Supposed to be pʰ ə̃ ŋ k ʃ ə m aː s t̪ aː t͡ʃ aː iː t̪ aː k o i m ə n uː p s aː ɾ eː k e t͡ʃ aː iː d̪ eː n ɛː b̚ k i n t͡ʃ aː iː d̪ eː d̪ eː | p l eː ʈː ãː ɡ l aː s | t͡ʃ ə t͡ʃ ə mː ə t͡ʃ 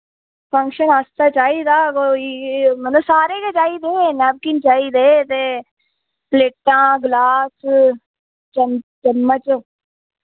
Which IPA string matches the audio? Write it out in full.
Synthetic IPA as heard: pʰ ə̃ ŋ k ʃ ə n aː s t̪ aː t͡ʃ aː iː d̪ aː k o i m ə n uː s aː ɾ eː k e t͡ʃ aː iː d̪ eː n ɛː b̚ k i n t͡ʃ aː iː d̪ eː t̪ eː | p l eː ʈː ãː ɡ l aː s | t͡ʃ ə t͡ʃ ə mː ə t͡ʃ